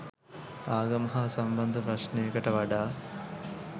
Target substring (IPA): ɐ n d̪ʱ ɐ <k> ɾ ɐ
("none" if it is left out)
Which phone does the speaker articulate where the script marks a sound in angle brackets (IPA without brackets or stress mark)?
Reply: p